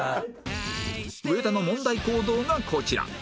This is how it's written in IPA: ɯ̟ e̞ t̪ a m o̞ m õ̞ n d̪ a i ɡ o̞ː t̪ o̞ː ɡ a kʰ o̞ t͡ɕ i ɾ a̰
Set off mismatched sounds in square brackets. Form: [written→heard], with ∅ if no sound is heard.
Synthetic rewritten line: ɯ̟ e̞ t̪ a [m→n] o̞ m õ̞ n d̪ a i [ɡ→k] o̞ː [t̪→d̪] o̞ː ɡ a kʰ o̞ t͡ɕ i ɾ a̰